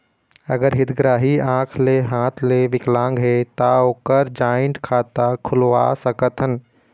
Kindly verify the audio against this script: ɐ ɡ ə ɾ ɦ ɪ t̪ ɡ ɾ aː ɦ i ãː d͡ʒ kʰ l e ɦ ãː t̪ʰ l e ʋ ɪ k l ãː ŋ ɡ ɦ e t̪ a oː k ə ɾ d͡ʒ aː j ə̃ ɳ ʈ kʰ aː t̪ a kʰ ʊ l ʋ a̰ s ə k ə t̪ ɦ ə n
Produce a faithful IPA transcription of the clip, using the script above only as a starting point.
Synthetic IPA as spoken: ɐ ɡ ə ɾ ɦ ɪ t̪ ɡ ɾ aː ɦ i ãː kʰ l e ɦ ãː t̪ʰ l e ʋ ɪ k l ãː ŋ ɡ ɦ e t̪ a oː k ə ɾ d͡ʒ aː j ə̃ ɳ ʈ kʰ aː t̪ a kʰ ʊ l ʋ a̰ s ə k ə t̪ ɦ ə n